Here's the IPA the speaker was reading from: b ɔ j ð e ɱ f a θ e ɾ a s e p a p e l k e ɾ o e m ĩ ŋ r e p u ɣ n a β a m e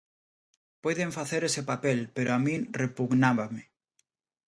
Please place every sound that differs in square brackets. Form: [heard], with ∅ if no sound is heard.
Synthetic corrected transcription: [p] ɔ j ð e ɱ f a θ e ɾ [e] s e p a p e l [p] e ɾ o [a] m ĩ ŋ r e p u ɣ n a β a m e